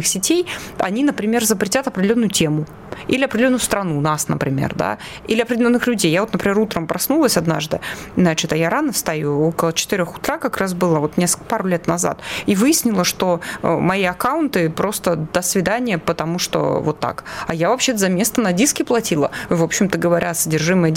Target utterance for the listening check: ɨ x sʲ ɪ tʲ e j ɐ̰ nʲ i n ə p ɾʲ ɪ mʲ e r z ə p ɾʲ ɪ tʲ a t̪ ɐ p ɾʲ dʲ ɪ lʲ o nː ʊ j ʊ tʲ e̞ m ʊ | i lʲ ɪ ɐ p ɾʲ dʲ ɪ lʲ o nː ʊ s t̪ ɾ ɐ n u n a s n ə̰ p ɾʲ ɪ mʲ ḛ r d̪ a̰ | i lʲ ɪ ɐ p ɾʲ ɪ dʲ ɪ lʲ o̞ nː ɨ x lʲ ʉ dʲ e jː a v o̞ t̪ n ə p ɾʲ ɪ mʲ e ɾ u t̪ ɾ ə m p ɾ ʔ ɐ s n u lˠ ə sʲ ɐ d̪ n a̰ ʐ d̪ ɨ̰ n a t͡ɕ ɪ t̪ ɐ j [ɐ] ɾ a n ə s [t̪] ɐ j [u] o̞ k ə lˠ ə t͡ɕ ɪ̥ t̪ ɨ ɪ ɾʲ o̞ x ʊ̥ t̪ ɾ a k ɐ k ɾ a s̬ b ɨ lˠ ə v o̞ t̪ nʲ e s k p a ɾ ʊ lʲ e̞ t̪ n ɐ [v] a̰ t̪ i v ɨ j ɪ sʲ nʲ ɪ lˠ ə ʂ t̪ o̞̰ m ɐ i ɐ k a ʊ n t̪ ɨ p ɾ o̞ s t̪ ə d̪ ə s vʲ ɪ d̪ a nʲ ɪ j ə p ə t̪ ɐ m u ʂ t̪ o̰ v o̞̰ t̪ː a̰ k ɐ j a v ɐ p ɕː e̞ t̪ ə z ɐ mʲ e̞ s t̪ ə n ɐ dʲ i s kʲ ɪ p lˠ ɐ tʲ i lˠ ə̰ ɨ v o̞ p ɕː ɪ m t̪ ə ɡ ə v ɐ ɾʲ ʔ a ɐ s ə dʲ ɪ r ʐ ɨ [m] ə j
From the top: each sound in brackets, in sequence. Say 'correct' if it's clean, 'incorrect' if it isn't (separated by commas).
incorrect, correct, correct, incorrect, correct